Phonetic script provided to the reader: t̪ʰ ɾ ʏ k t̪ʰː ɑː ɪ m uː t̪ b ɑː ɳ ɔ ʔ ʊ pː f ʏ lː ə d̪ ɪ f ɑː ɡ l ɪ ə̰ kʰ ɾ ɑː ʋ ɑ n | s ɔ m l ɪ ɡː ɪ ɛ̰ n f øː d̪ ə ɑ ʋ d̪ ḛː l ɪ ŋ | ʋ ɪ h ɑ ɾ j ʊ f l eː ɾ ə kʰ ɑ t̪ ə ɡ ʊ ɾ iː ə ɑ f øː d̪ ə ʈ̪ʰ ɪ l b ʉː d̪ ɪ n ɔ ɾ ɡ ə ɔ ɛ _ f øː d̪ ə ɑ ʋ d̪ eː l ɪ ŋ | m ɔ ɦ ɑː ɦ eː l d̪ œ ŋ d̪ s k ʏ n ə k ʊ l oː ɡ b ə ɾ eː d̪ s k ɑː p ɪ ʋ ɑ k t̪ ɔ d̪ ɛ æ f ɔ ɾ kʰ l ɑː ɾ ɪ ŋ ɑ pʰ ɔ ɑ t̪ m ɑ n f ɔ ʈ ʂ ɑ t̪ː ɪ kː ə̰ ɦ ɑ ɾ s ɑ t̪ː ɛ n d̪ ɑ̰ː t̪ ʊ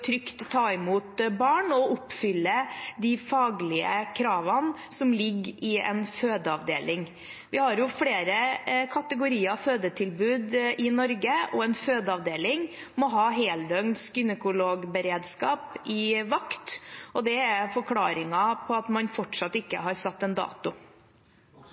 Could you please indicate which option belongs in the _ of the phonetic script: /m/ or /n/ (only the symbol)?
n